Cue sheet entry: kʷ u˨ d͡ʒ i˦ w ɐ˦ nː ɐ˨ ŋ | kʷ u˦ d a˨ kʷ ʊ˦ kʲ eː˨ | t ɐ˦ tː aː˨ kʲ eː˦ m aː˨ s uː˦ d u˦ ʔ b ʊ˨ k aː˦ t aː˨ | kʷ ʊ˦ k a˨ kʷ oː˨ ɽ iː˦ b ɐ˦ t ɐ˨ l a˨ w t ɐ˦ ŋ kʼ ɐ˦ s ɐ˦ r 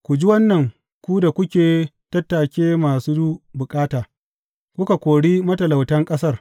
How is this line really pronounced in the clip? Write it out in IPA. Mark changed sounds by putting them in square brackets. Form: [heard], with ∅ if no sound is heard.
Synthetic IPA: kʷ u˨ d͡ʒ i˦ w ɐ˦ nː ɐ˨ ŋ | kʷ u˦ d a˨ kʷ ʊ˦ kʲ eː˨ | t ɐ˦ tː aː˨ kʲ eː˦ m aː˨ s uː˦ d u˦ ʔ b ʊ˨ [kʼ] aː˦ t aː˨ | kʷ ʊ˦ k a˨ kʷ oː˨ ɽ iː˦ [m] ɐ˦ t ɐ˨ l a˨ w t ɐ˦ ŋ kʼ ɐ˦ s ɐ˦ r